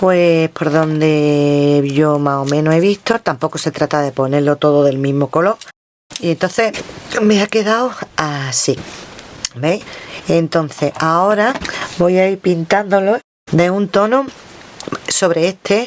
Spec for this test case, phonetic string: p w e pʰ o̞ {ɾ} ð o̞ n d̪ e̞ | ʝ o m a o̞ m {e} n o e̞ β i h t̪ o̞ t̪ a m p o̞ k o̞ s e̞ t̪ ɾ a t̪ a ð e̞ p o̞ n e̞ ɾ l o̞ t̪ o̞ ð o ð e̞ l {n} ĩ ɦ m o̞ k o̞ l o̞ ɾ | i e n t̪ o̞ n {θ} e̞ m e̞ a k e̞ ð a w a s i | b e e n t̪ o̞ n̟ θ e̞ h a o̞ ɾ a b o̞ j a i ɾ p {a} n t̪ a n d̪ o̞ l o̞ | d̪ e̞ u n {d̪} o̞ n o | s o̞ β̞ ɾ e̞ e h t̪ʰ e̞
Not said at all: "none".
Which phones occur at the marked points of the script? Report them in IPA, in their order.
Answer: ɾ, ẽ, m, θ, i, t̪

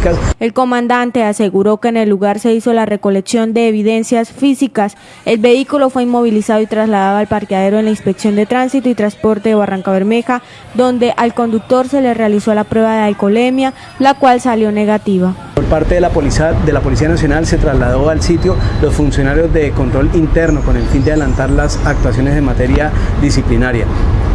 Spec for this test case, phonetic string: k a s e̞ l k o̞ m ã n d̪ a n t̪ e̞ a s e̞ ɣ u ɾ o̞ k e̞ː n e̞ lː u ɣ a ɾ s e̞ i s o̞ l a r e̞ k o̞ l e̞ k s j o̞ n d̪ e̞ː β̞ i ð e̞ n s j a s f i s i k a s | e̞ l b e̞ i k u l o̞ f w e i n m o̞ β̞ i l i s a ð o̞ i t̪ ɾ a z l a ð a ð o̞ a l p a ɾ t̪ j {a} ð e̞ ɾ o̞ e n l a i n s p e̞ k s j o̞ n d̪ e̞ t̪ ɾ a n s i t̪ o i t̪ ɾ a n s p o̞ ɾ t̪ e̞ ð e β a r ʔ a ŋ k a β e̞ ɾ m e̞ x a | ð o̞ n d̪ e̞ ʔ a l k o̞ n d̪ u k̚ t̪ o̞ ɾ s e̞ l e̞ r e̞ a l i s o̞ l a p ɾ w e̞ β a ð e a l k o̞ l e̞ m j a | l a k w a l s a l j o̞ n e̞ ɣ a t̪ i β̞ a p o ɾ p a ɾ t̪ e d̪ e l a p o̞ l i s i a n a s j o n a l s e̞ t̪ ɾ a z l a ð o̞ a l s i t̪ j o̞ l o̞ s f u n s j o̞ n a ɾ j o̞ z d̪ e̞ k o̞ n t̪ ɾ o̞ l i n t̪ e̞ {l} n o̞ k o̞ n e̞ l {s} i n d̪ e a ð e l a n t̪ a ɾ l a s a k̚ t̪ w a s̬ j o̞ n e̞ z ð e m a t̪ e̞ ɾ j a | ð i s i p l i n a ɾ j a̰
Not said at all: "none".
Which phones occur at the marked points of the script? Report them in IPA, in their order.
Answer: a, ɾ, f

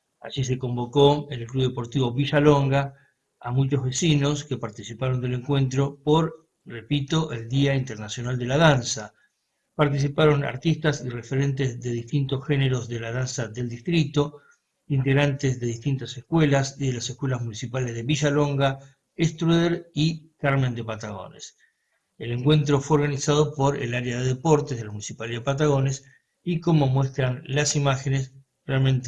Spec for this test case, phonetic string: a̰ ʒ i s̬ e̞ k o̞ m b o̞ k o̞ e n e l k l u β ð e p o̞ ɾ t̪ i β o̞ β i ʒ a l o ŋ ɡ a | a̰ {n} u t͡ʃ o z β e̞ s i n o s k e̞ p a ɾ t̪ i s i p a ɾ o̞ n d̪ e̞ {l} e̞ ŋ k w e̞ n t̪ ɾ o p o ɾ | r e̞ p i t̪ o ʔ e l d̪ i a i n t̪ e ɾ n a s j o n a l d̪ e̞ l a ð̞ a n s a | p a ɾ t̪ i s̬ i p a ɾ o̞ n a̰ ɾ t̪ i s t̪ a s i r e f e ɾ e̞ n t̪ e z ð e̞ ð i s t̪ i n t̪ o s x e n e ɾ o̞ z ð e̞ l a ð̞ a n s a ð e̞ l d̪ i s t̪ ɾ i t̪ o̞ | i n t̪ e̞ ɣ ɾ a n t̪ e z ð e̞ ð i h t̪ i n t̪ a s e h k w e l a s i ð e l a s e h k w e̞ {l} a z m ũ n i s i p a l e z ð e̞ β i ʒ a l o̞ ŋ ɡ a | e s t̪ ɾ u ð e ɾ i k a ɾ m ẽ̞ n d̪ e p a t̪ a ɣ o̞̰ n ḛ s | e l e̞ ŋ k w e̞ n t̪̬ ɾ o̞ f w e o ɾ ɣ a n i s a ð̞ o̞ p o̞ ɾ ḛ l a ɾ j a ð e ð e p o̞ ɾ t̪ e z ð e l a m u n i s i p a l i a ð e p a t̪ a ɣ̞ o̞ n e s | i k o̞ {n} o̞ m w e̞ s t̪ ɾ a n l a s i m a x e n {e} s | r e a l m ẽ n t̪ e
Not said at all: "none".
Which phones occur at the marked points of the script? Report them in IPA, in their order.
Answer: m, l, l, m, e

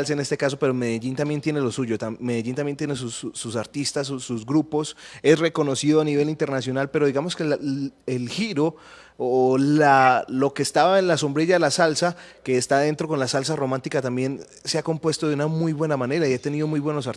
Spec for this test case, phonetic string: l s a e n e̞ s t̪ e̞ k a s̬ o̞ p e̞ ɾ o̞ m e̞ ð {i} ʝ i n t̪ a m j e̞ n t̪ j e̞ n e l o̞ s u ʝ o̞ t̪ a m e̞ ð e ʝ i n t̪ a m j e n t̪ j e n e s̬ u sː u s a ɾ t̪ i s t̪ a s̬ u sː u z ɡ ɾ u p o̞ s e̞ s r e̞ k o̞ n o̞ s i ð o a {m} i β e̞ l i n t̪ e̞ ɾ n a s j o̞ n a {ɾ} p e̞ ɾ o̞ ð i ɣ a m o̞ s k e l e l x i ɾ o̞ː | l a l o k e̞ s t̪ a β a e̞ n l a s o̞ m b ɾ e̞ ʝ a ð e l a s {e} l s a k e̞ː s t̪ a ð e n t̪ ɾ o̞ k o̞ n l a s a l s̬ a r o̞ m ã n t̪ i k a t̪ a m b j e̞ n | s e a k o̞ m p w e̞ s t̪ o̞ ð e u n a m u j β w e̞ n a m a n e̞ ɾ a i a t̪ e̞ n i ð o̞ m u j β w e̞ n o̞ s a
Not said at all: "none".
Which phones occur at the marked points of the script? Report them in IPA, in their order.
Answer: e, n, l, a

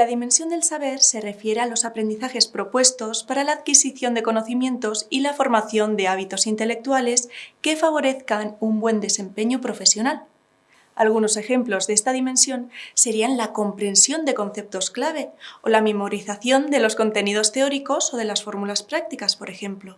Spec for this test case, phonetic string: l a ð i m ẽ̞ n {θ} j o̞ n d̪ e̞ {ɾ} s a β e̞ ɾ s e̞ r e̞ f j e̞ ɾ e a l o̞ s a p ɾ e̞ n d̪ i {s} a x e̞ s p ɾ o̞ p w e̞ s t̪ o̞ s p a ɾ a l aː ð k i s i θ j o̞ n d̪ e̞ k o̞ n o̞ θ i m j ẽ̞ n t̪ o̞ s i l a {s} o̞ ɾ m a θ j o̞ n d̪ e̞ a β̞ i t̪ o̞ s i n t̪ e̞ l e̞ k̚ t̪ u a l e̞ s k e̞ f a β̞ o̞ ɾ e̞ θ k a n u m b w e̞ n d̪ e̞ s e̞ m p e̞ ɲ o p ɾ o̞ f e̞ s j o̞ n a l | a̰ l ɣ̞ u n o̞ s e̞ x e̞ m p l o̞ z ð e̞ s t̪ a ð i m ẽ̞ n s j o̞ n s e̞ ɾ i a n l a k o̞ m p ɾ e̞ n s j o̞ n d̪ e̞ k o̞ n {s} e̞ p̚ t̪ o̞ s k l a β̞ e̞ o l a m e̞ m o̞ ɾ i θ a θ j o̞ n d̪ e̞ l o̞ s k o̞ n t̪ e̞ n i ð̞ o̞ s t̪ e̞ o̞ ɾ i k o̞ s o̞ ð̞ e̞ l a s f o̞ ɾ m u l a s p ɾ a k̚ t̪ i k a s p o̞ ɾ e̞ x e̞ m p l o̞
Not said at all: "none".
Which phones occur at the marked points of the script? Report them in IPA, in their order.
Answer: s, l, θ, f, θ

